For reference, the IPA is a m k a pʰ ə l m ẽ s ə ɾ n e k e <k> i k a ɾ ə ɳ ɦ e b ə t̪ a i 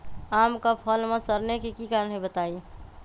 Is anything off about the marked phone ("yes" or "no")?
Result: no